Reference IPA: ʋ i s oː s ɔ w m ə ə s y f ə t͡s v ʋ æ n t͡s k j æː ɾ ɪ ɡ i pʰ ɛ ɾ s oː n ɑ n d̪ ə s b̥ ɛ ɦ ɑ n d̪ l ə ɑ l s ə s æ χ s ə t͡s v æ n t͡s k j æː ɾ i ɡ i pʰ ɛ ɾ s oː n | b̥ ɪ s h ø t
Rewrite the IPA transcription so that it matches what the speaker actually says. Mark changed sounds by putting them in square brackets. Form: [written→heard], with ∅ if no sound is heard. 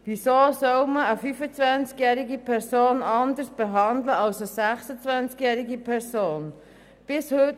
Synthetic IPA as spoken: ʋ i s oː s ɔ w m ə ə [s→f] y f ə t͡s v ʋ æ n t͡s k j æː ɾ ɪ ɡ i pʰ ɛ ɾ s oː n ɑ n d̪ ə s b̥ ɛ ɦ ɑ n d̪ l ə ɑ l s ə s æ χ s ə t͡s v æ n t͡s k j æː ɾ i ɡ i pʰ ɛ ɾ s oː n | b̥ ɪ s h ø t

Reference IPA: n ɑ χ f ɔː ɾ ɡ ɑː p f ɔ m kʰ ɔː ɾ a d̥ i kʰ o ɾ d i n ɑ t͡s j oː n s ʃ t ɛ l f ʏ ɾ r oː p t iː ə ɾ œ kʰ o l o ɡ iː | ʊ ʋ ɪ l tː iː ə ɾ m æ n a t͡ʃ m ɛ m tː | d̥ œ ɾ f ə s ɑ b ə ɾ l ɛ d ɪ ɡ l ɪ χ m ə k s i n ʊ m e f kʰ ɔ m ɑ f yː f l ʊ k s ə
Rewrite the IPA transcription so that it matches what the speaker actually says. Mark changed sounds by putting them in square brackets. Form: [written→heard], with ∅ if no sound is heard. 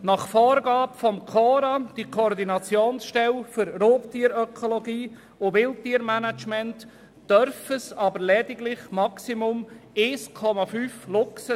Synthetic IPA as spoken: n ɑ χ f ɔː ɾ ɡ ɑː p f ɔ m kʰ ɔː ɾ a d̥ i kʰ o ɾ d i n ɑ t͡s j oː n s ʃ t ɛ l f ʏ ɾ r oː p t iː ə ɾ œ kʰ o l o ɡ iː | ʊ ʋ ɪ l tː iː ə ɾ m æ n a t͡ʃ m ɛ [m→n] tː | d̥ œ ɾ f ə s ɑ b ə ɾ l ɛ d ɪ ɡ l ɪ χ m [ə→ɑ] k s i [n→m] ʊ m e [f→s] kʰ ɔ m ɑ f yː f l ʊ k s ə

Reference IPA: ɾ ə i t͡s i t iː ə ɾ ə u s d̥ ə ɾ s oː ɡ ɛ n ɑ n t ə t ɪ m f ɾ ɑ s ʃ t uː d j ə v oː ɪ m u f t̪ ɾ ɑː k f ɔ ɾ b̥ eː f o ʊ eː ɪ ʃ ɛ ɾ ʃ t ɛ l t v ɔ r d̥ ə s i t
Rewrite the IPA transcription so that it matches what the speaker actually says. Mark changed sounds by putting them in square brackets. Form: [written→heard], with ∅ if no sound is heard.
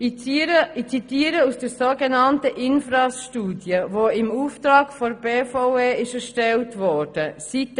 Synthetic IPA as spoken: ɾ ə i t͡s i t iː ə ɾ ə u s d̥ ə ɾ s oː ɡ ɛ n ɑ n t ə [t→ʔ] ɪ [m→n] f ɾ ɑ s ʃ t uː d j ə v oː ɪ m u f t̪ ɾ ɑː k f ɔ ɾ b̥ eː f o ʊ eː ɪ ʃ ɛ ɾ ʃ t ɛ l t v ɔ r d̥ ə s i t

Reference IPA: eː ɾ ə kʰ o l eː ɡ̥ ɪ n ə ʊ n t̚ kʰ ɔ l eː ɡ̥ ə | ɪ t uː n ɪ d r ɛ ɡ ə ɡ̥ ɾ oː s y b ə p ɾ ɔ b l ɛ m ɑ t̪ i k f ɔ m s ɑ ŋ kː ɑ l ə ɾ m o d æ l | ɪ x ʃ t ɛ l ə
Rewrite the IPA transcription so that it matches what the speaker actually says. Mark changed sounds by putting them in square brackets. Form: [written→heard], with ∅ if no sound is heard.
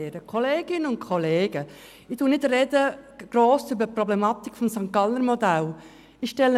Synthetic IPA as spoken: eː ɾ ə kʰ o l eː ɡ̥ ɪ n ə ʊ n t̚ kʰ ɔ l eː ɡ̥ ə | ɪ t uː n ɪ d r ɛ [ɡ→d] ə ɡ̥ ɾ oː s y b ə p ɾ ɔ b l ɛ m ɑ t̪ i k f ɔ m s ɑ ŋ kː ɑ l ə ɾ m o d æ l | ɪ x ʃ t ɛ l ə

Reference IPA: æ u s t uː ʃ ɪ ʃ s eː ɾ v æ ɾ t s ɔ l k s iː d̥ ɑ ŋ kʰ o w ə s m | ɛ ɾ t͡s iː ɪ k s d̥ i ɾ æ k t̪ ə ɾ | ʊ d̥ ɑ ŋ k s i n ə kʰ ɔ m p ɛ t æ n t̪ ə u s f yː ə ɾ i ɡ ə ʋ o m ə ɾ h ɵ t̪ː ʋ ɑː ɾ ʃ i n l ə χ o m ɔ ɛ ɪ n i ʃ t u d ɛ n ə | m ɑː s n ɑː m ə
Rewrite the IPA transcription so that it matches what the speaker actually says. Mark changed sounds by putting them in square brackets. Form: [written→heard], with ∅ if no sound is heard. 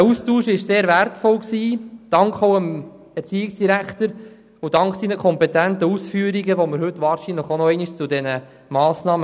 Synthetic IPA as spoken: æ u s t uː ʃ ɪ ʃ s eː ɾ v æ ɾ t [s→f] ɔ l k s iː d̥ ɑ ŋ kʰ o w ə [s→∅] m | ɛ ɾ t͡s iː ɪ k s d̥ i ɾ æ k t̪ ə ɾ | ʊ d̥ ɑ ŋ k s i n ə kʰ ɔ m p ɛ t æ n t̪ ə u s f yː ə ɾ i ɡ ə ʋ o m ə ɾ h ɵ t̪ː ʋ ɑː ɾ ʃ i n l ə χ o [m→n] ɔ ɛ ɪ n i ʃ [t→t͡s] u d ɛ n ə | m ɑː s n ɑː m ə

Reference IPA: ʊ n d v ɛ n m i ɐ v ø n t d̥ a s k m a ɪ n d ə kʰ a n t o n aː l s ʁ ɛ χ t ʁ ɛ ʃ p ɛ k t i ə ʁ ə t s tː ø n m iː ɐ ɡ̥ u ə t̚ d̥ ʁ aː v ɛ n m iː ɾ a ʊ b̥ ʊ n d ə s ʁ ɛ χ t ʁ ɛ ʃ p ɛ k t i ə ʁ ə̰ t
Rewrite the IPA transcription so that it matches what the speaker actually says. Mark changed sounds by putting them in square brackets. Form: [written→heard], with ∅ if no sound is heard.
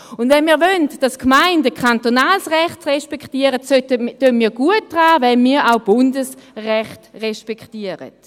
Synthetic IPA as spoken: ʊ n d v ɛ n m [i→iː] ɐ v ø n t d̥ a s k m a ɪ n d ə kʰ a n t o n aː l s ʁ ɛ χ t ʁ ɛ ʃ p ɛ k t i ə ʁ ə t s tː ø n m iː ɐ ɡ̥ u ə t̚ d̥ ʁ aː v ɛ n m iː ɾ a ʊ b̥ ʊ n d ə s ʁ ɛ χ t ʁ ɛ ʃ p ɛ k t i ə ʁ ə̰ t

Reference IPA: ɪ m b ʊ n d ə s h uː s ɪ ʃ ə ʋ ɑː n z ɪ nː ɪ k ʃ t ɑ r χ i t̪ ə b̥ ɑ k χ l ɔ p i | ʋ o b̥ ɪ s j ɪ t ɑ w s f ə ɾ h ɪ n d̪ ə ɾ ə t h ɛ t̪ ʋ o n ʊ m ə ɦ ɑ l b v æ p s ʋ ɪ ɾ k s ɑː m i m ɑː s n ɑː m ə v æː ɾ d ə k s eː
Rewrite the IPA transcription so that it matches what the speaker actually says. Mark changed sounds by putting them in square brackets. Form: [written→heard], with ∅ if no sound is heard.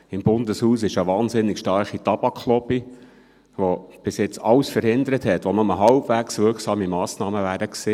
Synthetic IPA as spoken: ɪ m b ʊ n d ə s h uː s ɪ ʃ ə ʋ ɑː n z ɪ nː ɪ k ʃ t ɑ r χ i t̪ [ə→ɑ] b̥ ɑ k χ l ɔ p i | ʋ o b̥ ɪ s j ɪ [t→t͡s] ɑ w s f ə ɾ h ɪ n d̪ ə ɾ ə t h ɛ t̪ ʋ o n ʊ m ə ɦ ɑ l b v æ [p→k] s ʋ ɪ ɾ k s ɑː m i m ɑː s n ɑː m ə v æː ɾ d ə k s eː

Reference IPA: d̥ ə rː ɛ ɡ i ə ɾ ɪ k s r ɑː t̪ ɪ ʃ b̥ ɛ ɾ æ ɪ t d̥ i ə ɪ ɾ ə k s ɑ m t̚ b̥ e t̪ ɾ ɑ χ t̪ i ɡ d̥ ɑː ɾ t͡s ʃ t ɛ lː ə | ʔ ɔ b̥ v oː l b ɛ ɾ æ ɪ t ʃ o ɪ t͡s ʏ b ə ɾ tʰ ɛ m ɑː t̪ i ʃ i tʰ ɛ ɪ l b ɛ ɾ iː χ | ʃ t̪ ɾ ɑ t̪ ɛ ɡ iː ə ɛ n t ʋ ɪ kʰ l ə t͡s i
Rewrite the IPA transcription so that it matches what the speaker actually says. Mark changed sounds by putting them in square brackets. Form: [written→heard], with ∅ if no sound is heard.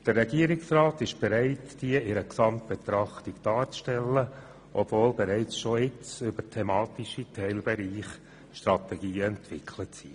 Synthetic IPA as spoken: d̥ ə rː ɛ ɡ i ə ɾ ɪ k s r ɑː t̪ ɪ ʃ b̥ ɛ ɾ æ ɪ t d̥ i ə ɪ ɾ ə k s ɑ m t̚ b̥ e t̪ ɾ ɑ χ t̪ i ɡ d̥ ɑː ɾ t͡s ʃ t ɛ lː ə | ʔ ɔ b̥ v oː l b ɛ ɾ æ ɪ [t→t͡s] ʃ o ɪ t͡s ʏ b ə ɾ tʰ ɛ m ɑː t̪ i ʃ i tʰ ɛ ɪ l b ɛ ɾ iː χ | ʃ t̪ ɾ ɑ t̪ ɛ ɡ iː ə ɛ n t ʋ ɪ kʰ l ə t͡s i

